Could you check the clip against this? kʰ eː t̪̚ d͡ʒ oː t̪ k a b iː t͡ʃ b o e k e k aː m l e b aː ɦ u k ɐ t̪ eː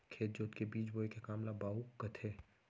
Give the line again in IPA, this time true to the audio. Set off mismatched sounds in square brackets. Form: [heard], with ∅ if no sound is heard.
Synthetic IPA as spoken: kʰ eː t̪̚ d͡ʒ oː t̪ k [e] b iː t͡ʃ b o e k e k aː m l [a] b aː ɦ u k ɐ [t̪ʰ] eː